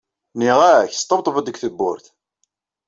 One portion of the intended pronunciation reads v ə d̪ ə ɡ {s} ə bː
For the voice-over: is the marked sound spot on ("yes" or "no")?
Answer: no